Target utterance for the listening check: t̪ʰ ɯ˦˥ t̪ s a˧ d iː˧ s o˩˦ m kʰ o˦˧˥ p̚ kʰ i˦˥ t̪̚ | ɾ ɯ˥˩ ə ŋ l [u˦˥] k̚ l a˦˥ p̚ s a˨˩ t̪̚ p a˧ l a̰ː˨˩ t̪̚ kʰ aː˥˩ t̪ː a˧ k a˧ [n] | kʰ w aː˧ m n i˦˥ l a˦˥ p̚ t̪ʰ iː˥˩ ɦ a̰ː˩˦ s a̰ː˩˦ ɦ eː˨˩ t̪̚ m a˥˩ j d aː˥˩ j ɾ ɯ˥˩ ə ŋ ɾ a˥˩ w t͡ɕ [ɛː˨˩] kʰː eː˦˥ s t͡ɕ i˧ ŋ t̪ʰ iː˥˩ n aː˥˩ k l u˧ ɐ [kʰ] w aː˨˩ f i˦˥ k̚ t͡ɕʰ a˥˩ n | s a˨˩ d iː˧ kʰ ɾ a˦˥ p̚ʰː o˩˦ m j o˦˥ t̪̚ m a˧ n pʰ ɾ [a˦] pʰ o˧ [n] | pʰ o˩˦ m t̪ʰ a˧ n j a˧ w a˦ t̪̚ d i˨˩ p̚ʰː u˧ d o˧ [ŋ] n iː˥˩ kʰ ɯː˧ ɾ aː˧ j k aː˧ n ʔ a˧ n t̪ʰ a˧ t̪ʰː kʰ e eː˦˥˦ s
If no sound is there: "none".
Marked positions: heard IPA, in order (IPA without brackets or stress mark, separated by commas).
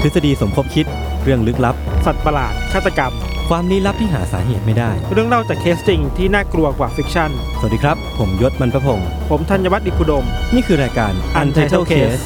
ɯ˦˥, m, aː˨˩, k, a˦, ŋ, m